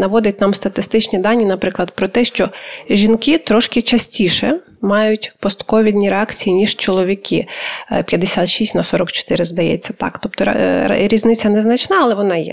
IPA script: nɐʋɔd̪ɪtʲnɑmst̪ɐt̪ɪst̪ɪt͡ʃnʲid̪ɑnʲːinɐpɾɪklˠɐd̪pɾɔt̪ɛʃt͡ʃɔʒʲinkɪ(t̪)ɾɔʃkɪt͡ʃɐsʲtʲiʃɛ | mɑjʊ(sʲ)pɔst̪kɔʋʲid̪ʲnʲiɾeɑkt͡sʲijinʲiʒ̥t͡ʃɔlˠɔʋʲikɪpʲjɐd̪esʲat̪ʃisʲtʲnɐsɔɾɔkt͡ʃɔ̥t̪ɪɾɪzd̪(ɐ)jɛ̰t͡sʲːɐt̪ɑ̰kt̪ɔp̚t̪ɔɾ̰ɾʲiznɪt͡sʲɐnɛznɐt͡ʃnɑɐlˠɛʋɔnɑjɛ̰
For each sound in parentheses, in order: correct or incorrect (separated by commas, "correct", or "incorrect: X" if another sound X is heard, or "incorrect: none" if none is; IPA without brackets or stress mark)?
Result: correct, incorrect: tʲ, correct